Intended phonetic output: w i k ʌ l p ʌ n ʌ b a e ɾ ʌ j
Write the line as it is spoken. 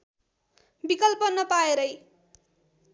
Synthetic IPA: b i k ʌ l p ʌ n ʌ p a e ɾ ʌ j